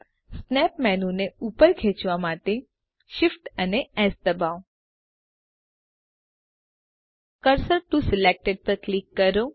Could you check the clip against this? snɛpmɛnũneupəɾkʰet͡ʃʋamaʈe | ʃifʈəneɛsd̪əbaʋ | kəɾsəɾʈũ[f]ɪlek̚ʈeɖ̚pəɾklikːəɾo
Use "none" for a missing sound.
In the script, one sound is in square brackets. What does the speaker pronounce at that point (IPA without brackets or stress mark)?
s